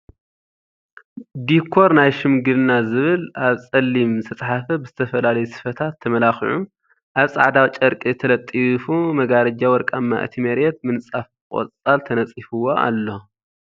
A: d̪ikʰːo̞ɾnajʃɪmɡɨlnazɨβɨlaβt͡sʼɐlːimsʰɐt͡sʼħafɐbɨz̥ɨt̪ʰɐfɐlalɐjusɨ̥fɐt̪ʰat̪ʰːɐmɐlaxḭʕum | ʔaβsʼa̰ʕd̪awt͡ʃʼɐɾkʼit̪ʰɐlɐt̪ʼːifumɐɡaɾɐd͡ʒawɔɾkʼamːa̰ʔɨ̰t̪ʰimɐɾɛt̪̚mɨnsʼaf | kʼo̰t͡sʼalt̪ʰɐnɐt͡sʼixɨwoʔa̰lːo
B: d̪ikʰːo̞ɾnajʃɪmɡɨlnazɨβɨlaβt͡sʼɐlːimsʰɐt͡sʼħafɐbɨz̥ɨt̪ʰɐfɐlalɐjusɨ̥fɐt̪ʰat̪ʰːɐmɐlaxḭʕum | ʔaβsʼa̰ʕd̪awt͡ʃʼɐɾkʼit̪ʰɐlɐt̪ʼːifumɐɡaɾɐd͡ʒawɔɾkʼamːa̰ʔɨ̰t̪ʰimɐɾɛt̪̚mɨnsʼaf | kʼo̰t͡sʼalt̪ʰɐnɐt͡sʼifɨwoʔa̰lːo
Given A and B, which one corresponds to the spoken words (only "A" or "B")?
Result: B